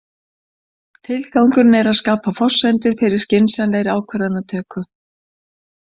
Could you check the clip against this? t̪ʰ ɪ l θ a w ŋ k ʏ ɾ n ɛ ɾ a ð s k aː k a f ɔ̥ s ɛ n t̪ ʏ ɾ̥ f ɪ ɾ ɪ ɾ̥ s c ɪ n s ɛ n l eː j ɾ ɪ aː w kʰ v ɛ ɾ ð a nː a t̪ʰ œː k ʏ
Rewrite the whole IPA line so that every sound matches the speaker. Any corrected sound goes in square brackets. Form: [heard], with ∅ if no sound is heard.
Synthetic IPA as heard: t̪ʰ ɪ l θ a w ŋ k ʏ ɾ n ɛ ɾ a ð s k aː [p] a f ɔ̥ s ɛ n t̪ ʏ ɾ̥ f ɪ ɾ ɪ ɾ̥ s c ɪ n s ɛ n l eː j ɾ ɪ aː w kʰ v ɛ ɾ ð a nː a t̪ʰ œː k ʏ